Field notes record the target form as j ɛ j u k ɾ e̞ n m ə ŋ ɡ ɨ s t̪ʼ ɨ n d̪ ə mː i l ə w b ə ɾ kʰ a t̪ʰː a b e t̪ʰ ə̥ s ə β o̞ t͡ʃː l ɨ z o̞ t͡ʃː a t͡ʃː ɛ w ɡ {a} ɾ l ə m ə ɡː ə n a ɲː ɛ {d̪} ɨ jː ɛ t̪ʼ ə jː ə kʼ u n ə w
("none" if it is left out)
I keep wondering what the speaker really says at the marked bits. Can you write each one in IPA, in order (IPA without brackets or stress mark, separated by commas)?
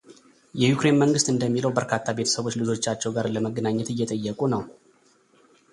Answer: a, t̪